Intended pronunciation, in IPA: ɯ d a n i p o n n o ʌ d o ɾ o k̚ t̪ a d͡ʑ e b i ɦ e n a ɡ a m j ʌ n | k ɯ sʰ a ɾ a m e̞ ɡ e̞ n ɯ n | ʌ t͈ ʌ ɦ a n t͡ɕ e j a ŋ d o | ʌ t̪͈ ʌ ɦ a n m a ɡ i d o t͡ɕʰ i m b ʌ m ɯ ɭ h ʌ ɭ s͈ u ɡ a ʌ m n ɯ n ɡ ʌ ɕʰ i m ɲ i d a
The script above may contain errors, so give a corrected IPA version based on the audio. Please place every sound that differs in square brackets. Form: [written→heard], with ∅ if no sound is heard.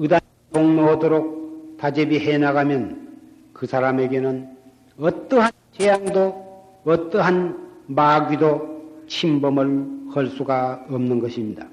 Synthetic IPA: ɯ d a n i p o [n→ŋ] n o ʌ d o ɾ o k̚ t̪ a d͡ʑ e b i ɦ e n a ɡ a m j ʌ n | k ɯ sʰ a ɾ a m e̞ ɡ e̞ n ɯ n | ʌ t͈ ʌ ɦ a n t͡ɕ e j a ŋ d o | ʌ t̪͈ ʌ ɦ a n m a ɡ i d o t͡ɕʰ i m b ʌ m ɯ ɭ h ʌ ɭ s͈ u ɡ a ʌ m n ɯ n ɡ ʌ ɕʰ i m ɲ i d a